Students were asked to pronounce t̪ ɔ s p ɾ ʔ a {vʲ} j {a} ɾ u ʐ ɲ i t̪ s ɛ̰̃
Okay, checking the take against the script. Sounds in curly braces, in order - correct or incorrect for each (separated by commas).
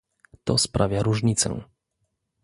correct, correct